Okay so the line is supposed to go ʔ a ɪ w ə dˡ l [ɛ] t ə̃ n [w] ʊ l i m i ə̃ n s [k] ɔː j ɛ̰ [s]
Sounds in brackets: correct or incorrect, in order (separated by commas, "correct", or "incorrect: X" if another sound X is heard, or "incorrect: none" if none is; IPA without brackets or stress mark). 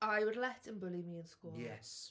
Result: correct, incorrect: b, correct, correct